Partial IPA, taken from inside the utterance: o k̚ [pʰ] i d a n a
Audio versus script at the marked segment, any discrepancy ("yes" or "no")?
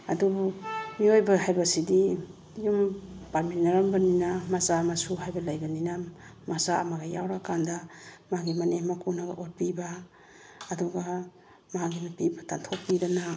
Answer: yes